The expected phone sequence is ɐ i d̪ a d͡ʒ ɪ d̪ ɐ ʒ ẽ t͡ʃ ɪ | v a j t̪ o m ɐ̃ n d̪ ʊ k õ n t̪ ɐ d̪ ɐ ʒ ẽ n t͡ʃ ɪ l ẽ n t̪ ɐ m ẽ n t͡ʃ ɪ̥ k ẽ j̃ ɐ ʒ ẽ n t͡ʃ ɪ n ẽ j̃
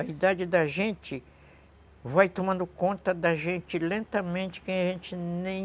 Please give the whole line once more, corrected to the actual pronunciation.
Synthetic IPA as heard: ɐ i d̪ a d͡ʒ ɪ d̪ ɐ ʒ ẽ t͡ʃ ɪ | v a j t̪ o m ɐ̃ n d̪ ʊ k õ n t̪ ɐ d̪ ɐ ʒ ẽ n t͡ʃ ɪ l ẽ n t̪ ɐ m ẽ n t͡ʃ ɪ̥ k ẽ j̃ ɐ ʒ ẽ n t͡ʃ ɪ n ẽ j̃